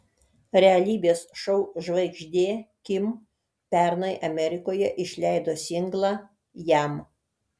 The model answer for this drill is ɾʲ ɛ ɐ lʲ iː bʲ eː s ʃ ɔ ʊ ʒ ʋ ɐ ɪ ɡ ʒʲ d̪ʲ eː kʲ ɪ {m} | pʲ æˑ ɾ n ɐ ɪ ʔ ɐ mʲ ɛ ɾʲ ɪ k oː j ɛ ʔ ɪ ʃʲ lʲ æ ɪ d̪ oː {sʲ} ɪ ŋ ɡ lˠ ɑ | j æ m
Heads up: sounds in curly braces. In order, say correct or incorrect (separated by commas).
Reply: correct, correct